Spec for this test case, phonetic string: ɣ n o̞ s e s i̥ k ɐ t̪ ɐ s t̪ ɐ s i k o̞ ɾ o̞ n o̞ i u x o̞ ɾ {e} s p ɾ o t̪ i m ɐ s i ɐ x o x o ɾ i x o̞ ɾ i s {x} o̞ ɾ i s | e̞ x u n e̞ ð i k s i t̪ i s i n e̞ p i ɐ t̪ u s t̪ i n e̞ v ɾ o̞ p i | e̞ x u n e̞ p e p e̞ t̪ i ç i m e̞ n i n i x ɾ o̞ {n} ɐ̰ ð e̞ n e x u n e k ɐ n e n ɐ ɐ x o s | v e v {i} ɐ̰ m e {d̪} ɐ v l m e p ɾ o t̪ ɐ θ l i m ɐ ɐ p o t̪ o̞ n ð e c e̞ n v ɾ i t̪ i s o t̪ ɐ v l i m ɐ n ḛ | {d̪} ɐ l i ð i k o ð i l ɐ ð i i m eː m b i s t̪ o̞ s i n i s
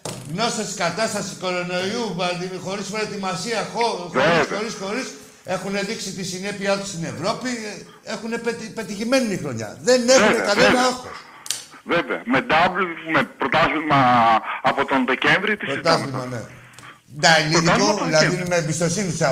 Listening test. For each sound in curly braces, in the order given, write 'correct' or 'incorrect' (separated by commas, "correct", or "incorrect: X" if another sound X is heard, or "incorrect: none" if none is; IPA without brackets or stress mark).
incorrect: i, correct, incorrect: ɲ, incorrect: e, correct, correct